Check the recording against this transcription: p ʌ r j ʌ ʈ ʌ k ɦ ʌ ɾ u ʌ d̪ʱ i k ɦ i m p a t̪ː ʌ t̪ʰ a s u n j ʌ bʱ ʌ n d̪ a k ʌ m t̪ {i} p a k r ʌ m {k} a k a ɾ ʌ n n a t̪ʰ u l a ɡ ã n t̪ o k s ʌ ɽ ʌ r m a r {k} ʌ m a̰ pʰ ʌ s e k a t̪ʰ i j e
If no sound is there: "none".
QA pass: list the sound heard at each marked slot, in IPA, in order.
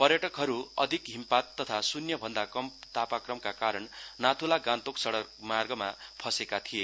a, k, ɡ

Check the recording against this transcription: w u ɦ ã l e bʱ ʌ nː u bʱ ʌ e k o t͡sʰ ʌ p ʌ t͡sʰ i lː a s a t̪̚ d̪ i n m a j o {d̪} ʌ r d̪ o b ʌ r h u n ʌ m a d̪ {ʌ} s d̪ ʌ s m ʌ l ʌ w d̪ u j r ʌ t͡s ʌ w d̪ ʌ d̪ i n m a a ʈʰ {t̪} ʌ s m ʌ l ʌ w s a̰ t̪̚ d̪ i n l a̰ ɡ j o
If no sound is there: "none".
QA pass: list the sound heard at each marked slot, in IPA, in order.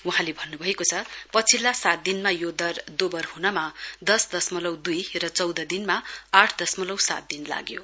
d̪, ʌ, d̪

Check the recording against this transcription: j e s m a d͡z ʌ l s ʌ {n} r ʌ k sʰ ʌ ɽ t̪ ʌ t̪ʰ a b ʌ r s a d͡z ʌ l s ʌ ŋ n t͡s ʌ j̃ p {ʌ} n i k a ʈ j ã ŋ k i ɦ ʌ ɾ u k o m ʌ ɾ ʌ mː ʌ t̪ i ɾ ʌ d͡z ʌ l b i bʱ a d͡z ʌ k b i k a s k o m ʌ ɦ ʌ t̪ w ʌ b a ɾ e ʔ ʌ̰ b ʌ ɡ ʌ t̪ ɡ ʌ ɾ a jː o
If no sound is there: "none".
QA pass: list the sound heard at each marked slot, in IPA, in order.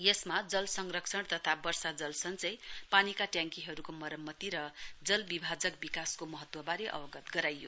ŋ, a

